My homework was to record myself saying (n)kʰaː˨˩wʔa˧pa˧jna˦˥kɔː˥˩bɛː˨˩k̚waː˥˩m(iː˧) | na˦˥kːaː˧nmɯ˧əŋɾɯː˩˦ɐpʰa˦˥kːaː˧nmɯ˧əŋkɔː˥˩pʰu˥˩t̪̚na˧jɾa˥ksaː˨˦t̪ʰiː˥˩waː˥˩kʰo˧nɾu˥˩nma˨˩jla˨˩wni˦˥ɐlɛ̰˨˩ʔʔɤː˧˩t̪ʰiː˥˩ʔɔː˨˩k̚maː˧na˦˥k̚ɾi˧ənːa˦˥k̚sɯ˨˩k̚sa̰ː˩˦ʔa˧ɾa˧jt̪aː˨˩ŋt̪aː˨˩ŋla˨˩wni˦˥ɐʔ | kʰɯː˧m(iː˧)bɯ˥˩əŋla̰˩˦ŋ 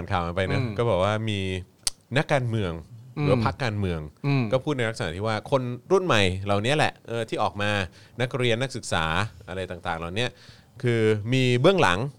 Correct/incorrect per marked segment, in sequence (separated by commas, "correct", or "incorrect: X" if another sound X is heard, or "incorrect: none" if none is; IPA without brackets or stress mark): correct, correct, correct